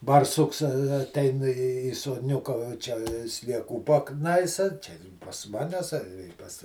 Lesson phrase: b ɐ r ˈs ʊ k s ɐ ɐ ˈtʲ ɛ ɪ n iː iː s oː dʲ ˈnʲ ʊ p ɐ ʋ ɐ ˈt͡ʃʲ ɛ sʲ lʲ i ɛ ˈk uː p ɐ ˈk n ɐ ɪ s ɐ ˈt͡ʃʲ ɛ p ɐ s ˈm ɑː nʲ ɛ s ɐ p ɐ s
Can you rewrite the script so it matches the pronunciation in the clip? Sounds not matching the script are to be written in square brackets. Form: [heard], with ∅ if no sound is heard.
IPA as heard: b ɐ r ˈs ʊ k s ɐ ɐ ˈtʲ ɛ ɪ n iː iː s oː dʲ ˈnʲ ʊ [k] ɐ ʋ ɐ ˈt͡ʃʲ ɛ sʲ lʲ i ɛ ˈk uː p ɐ ˈk n ɐ ɪ s ɐ ˈt͡ʃʲ ɛ p ɐ s ˈm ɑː nʲ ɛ s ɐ p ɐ s